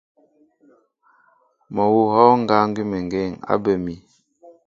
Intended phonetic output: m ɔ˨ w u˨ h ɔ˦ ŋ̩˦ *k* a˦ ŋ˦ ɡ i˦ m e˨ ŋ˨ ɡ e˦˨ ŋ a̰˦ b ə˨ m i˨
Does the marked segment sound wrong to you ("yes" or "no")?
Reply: yes